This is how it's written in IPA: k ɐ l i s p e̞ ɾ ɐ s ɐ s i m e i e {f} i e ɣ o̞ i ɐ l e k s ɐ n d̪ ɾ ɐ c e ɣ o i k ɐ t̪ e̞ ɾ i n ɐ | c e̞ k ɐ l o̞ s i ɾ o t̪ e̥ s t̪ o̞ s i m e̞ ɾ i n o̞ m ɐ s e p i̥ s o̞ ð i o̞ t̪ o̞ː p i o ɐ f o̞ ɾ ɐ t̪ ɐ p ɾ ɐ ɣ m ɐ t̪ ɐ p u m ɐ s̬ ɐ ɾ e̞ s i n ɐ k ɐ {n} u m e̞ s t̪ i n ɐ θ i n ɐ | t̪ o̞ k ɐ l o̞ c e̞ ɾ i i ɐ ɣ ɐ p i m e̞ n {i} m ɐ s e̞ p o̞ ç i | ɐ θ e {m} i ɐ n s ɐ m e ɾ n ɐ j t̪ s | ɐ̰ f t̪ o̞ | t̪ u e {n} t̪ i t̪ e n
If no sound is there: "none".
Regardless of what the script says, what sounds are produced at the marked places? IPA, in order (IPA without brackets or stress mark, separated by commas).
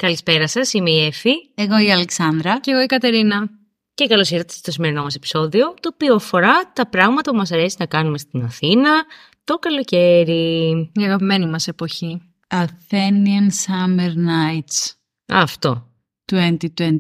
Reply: f, n, i, n, n